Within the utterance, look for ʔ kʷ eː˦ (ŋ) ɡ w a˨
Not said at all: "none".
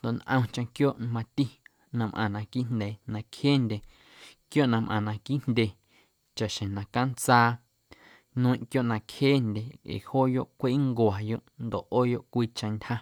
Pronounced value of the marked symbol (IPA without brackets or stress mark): ŋ